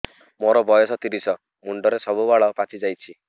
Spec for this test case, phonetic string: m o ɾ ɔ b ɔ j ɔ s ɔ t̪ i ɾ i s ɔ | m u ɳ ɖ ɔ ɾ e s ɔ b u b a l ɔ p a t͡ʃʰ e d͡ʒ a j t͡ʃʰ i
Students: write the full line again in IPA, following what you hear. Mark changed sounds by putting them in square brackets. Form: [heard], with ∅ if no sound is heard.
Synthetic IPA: m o ɾ ɔ b ɔ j ɔ s ɔ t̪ i ɾ i s ɔ | m u ɳ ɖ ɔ ɾ e s ɔ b u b a [ɭ] ɔ p a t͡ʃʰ [i] d͡ʒ a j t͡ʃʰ i